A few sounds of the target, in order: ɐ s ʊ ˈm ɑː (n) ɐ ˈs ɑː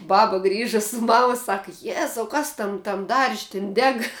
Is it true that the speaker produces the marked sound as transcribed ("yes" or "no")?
no